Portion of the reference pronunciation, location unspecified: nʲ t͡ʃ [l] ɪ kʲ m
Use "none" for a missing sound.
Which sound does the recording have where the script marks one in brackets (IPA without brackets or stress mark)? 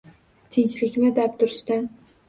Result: l